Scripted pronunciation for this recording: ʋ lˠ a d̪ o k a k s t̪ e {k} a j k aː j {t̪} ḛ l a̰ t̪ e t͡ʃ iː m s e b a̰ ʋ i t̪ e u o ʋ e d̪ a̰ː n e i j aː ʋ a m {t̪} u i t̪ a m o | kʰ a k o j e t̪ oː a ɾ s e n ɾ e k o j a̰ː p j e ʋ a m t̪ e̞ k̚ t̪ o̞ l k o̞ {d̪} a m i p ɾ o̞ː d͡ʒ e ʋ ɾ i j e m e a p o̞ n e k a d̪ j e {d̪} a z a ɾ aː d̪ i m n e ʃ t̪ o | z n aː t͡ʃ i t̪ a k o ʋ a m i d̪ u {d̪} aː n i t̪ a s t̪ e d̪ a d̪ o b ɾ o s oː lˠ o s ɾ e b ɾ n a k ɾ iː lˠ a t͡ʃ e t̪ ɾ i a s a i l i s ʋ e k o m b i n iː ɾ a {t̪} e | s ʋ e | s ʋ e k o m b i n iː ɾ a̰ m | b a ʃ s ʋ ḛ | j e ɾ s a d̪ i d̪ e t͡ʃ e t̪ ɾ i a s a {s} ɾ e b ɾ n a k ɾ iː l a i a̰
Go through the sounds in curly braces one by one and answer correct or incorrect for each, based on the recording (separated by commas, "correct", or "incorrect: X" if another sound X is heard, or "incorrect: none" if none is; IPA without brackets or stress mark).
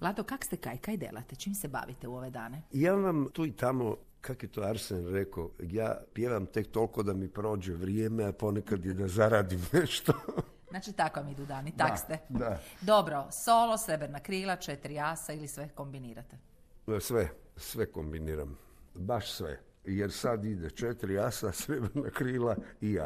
correct, incorrect: d̪, correct, correct, correct, correct, correct, correct